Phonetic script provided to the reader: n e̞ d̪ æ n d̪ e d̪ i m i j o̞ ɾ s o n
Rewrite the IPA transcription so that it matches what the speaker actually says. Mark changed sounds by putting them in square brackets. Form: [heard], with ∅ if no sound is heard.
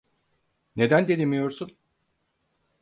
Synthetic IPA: n e̞ d̪ æ n d̪ e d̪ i m i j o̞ ɾ s [u] n